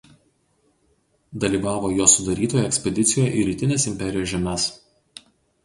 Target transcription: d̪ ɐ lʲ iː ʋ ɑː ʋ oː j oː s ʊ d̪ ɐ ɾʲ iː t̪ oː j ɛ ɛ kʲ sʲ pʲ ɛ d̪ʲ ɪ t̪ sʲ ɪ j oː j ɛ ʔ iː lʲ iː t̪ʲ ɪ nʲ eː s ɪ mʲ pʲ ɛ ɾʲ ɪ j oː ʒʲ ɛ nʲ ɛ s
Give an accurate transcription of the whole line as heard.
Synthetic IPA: d̪ ɐ lʲ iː ʋ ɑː ʋ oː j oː s ʊ d̪ ɐ ɾʲ iː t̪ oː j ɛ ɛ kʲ sʲ pʲ ɛ d̪ʲ ɪ t̪ sʲ ɪ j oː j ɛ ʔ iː ɾʲ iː t̪ʲ ɪ nʲ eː s ɪ mʲ pʲ ɛ ɾʲ ɪ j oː ʒʲ ɛ mʲ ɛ s